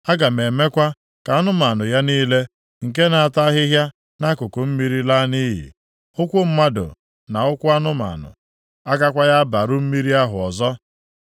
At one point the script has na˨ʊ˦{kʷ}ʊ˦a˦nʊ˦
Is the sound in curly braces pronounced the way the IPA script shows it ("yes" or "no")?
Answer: yes